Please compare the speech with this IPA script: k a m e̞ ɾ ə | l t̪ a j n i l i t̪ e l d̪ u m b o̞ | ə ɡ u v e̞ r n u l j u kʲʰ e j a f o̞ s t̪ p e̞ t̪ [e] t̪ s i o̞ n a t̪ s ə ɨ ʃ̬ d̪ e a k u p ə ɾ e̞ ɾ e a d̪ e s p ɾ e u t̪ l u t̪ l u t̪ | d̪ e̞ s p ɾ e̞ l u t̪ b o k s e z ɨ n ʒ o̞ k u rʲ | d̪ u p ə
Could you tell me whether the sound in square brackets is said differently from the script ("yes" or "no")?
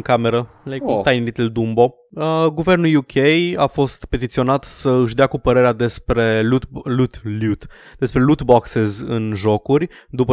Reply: yes